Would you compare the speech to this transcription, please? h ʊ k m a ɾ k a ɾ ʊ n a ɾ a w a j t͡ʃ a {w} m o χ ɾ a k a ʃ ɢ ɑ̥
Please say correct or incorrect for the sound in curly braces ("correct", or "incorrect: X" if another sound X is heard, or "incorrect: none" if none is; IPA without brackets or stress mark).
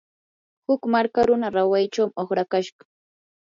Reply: correct